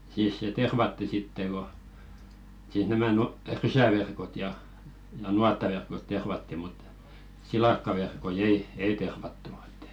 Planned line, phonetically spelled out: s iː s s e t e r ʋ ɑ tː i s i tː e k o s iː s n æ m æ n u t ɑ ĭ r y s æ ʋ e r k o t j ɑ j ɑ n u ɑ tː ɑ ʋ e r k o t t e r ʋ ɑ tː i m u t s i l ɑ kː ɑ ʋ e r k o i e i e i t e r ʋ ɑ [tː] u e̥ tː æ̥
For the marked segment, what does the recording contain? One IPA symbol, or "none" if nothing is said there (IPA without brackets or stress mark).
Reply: tː